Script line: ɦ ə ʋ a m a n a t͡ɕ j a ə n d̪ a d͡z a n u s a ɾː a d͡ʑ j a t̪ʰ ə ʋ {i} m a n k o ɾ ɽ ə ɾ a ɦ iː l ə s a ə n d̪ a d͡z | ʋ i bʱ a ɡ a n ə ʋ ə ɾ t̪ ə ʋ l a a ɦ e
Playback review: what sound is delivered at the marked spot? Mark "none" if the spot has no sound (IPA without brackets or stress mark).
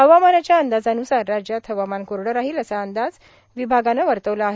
a